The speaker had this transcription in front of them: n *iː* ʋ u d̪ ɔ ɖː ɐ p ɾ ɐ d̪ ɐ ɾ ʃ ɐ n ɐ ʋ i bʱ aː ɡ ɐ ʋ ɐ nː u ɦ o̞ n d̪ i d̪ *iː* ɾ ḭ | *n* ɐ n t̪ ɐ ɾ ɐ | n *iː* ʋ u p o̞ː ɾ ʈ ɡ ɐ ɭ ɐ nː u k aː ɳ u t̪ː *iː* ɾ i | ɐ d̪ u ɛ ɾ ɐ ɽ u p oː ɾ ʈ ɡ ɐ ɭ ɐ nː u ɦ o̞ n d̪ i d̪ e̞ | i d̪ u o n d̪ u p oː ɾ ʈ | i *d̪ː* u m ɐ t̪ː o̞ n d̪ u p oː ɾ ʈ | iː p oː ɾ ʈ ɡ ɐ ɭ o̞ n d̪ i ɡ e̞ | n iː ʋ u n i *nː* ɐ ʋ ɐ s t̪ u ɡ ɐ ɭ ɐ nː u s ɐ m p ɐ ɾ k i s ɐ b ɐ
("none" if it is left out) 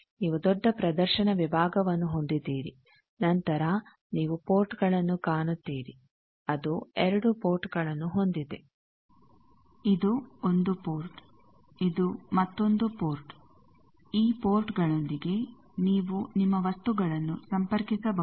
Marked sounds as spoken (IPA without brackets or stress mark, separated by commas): iː, iː, n, iː, iː, d̪, mː